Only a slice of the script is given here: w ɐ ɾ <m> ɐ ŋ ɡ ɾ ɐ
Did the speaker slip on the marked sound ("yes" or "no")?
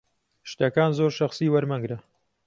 no